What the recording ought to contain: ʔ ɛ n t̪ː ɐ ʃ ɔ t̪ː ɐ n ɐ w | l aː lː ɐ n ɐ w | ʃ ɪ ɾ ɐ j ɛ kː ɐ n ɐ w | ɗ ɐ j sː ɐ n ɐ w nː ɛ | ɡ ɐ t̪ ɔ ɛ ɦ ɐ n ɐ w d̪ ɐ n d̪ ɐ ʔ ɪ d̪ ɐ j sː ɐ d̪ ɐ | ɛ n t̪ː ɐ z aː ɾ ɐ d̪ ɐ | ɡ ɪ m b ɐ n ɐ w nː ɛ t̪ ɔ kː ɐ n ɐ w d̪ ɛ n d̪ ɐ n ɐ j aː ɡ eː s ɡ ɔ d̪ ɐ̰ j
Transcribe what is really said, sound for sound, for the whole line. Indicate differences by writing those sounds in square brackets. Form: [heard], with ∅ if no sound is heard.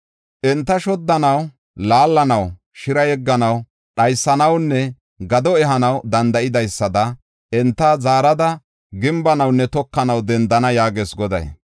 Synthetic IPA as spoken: ʔ ɛ n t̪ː ɐ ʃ ɔ [d̪ː] ɐ n ɐ w | l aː lː ɐ n ɐ w | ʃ ɪ ɾ ɐ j ɛ [ɡː] ɐ n ɐ w | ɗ ɐ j sː ɐ n ɐ w nː ɛ | ɡ ɐ [d̪] ɔ ɛ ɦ ɐ n ɐ w d̪ ɐ n d̪ ɐ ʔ ɪ d̪ ɐ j sː ɐ d̪ ɐ | ɛ n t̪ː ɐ z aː ɾ ɐ d̪ ɐ | ɡ ɪ m b ɐ n ɐ w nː ɛ t̪ ɔ kː ɐ n ɐ w d̪ ɛ n d̪ ɐ n ɐ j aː ɡ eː s ɡ ɔ d̪ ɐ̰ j